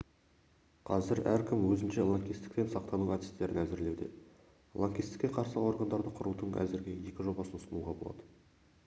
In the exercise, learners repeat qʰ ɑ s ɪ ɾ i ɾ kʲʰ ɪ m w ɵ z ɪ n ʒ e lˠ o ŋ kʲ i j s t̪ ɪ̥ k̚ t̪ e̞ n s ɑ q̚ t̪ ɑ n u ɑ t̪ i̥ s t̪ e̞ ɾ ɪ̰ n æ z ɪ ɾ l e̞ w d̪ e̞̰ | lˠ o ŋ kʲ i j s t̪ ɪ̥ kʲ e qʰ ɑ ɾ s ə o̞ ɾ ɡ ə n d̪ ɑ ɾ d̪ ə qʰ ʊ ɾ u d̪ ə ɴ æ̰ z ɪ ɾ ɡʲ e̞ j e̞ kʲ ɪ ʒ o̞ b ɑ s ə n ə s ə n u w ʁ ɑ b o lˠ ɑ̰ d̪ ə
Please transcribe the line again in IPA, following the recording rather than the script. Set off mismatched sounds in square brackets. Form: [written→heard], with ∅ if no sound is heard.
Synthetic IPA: qʰ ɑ [s→z] ɪ ɾ [i→æ] ɾ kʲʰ ɪ m w ɵ z ɪ n [ʒ→ʃ] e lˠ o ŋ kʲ i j s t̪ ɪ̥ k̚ t̪ e̞ n s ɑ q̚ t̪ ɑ n u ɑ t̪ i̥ s t̪ e̞ ɾ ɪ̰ n æ z ɪ ɾ l e̞ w d̪ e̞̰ | lˠ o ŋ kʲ i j s t̪ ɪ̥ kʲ e qʰ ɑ ɾ s ə o̞ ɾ ɡ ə n d̪ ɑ ɾ d̪ ə qʰ ʊ ɾ u d̪ ə ɴ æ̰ z ɪ ɾ ɡʲ e̞ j e̞ kʲ ɪ ʒ o̞ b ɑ s ə n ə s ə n u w ʁ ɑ b o lˠ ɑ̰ d̪ ə